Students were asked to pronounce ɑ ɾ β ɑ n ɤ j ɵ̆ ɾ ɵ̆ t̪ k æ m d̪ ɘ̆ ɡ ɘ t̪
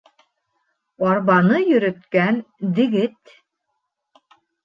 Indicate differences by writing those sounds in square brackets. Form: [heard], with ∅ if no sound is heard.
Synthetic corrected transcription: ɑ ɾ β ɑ n ɤ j ɵ̆ ɾ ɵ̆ t̪ k æ [n] d̪ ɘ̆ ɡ ɘ t̪